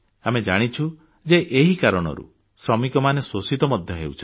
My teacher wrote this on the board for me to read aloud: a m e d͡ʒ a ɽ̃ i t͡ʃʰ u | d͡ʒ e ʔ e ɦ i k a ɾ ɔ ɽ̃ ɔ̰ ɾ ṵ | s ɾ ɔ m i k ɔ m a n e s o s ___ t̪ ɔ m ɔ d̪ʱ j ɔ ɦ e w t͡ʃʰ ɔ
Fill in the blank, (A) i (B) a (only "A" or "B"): A